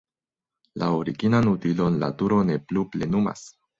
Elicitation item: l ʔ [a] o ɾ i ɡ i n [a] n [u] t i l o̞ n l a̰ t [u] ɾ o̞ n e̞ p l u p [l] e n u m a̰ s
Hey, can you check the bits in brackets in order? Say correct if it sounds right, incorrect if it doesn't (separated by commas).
correct, correct, correct, correct, correct